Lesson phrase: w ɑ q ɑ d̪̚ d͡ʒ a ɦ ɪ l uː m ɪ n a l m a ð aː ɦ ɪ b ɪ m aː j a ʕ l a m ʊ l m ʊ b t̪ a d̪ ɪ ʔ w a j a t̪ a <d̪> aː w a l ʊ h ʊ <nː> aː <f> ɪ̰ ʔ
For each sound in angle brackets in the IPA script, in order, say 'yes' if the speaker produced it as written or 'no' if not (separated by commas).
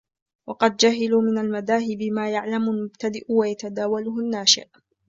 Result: yes, yes, no